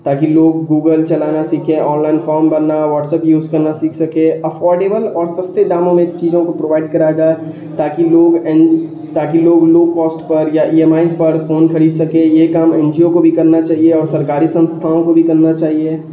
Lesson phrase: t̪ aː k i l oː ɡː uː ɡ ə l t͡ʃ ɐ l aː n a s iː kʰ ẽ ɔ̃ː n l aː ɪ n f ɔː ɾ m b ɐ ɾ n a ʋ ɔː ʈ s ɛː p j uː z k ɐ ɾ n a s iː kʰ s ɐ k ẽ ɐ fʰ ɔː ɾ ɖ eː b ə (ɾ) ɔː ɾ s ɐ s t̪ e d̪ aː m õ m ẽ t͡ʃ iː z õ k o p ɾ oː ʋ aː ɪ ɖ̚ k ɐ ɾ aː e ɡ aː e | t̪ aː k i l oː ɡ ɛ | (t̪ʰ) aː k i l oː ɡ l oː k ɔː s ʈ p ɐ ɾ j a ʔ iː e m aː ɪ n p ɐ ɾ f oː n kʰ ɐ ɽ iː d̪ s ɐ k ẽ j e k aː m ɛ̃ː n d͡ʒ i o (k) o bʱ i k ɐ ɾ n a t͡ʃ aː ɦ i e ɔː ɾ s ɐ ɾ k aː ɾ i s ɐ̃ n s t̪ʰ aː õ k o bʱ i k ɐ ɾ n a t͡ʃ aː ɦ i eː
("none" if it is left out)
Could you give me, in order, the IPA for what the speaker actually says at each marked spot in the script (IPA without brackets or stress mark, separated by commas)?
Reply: l, t̪, k